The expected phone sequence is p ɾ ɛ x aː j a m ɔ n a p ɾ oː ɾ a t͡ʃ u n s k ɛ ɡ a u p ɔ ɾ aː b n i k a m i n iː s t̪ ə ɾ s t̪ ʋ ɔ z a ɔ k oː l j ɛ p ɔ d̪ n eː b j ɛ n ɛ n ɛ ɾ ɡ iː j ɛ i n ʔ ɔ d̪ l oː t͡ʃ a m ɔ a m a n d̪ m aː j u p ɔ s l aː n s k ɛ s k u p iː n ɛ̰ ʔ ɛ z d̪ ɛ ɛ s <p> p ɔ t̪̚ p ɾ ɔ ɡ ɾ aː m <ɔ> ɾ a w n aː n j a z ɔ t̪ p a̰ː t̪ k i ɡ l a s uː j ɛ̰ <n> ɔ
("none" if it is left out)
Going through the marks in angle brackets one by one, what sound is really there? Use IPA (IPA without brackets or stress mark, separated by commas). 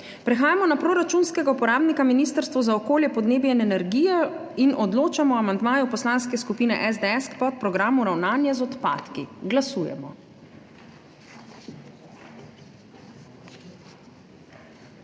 k, u, m